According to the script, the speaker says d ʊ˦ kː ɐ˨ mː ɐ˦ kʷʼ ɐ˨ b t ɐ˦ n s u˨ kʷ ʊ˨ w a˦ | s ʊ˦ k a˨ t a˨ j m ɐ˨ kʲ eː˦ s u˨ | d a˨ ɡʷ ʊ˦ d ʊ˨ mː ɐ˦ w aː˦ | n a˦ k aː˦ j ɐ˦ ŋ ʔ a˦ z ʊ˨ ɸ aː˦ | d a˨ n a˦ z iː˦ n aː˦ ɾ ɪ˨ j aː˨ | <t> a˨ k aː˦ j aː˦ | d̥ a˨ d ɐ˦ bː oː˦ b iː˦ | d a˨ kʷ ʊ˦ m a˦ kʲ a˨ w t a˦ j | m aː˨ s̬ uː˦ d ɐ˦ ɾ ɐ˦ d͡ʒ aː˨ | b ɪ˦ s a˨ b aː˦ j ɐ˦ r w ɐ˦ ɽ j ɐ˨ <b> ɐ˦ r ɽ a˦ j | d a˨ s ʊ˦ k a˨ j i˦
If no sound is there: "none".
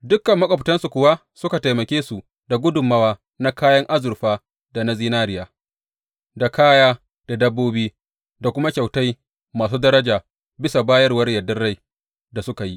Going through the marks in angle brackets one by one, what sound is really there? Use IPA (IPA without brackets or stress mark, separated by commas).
d, d